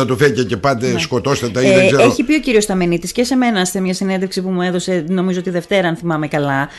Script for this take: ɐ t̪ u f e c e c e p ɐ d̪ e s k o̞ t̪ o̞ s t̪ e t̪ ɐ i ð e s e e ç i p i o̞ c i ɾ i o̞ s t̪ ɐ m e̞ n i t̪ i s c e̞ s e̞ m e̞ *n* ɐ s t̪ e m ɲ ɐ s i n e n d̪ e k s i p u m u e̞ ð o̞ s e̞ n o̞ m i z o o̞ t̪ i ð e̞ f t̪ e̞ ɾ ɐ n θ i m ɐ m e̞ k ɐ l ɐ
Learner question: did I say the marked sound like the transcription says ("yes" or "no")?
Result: yes